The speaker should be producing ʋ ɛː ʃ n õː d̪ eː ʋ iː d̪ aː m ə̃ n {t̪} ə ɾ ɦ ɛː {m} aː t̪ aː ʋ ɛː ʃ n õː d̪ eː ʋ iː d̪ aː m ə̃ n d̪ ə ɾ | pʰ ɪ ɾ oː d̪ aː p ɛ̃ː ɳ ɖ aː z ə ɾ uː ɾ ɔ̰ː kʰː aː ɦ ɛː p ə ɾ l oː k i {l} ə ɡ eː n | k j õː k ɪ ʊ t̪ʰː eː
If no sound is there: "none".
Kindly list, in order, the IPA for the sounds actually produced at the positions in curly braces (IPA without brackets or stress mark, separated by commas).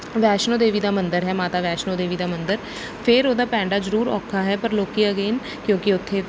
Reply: d̪, m, none